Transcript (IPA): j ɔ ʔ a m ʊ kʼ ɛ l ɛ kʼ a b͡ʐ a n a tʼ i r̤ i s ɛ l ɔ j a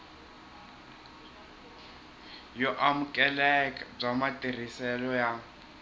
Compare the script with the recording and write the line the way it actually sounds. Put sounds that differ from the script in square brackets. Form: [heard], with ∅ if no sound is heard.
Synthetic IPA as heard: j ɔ ʔ a m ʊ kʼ ɛ l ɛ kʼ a b͡ʐ a [m] a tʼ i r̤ i s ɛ l ɔ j a